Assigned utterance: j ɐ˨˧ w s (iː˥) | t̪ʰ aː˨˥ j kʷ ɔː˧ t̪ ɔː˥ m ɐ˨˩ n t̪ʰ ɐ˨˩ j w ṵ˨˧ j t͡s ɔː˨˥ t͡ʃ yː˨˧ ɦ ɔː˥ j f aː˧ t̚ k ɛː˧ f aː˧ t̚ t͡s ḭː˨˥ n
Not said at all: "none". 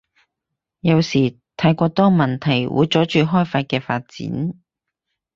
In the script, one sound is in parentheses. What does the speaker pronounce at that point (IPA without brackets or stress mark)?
iː˨˩